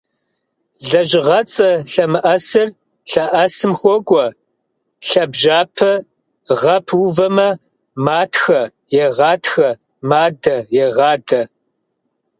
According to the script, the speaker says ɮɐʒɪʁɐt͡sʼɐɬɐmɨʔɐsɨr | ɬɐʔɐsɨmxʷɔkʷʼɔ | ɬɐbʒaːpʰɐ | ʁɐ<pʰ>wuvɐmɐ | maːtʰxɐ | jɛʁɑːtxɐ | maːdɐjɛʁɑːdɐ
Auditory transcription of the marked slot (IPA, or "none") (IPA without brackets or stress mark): pʰ